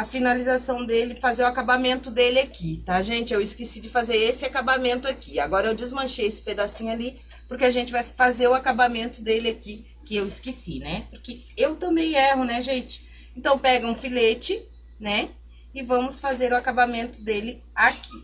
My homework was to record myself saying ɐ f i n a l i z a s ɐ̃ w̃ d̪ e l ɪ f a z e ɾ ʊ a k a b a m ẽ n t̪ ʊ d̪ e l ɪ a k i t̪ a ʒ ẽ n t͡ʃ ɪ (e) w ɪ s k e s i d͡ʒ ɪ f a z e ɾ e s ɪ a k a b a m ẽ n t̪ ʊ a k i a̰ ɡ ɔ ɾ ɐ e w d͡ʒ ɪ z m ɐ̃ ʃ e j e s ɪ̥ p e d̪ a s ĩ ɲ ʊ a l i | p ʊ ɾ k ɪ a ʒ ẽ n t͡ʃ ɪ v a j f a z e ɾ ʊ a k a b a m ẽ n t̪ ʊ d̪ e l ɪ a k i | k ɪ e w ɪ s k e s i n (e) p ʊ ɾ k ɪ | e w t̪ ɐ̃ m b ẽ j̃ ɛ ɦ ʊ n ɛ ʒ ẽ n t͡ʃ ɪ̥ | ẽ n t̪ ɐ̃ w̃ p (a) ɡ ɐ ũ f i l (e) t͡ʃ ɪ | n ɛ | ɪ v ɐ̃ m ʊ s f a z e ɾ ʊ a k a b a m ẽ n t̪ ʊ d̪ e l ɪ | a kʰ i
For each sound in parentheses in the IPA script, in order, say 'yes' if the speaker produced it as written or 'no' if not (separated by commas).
yes, no, no, yes